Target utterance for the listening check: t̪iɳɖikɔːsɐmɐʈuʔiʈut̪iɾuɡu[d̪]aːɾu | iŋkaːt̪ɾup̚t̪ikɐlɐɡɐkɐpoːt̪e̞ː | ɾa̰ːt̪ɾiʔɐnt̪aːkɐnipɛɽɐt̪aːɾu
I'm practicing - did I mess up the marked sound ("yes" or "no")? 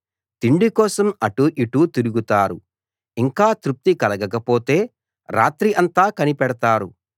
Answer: yes